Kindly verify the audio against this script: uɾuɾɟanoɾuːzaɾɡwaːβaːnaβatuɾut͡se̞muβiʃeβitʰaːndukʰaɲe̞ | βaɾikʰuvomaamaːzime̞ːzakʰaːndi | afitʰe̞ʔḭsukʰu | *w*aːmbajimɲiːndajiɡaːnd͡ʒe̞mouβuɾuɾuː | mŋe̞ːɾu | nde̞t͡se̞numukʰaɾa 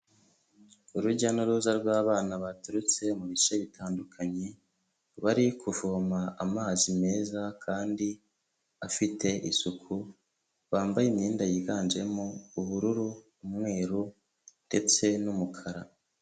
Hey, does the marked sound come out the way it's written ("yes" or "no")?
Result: no